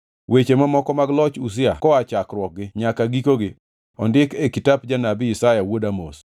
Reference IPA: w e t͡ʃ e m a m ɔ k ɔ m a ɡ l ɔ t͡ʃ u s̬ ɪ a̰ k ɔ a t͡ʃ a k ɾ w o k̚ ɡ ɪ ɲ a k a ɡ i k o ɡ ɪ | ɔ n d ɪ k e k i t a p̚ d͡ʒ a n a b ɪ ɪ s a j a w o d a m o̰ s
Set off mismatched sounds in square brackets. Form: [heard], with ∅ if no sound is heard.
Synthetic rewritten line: w e t͡ʃ e m a m ɔ k ɔ m a ɡ l ɔ t͡ʃ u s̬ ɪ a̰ k ɔ a t͡ʃ a k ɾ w [ɔ] k̚ ɡ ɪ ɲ a k a ɡ i k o ɡ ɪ | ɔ n d ɪ k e k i t a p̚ d͡ʒ a n a b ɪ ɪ s a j a w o d a m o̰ s

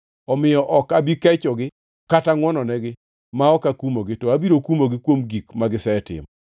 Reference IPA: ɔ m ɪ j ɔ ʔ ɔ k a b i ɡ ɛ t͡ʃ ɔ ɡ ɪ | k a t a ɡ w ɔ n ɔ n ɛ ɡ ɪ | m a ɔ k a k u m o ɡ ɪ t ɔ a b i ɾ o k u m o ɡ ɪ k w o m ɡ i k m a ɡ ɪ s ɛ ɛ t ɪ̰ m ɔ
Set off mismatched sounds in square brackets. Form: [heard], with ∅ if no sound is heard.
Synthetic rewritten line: ɔ m ɪ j ɔ ʔ ɔ k a b i [k] ɛ t͡ʃ ɔ ɡ ɪ | k a t a [ŋ] w ɔ n ɔ n ɛ ɡ ɪ | m a ɔ k a k u m o ɡ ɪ t ɔ a b i ɾ o k u m o ɡ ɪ k w o m ɡ i k m a ɡ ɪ s ɛ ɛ t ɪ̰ m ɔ

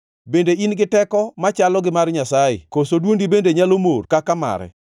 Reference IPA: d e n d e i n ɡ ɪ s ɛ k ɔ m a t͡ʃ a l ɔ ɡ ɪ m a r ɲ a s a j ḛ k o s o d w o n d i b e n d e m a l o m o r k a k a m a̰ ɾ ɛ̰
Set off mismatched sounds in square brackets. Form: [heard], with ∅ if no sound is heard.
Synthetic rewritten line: [b] e n d e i n ɡ ɪ [t] ɛ k ɔ m a t͡ʃ a l ɔ ɡ ɪ m a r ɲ a s a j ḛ k o s o d w o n d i b e n d e [ɲ] a l o m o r k a k a m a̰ ɾ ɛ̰

